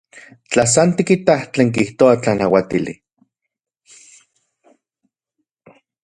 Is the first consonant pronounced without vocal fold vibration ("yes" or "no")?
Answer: yes